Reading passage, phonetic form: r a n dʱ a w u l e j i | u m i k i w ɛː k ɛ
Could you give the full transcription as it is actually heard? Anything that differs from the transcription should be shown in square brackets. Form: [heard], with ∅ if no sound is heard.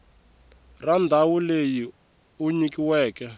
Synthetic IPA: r a n dʱ a w u l e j i | u [ɲ] i k i w ɛː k ɛ